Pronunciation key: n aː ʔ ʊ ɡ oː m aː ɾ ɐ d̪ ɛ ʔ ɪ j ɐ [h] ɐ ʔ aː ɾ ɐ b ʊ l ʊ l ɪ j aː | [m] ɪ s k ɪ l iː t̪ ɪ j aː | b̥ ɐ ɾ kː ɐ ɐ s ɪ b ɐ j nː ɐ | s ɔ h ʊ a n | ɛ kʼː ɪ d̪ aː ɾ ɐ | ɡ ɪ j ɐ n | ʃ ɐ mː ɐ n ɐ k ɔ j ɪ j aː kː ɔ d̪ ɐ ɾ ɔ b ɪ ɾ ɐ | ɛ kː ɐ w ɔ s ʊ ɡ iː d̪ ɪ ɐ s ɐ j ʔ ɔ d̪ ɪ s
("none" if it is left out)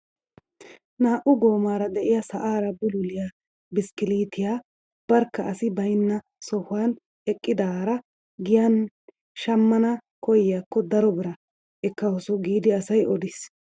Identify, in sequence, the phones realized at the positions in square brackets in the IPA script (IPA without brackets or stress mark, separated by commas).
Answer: s, b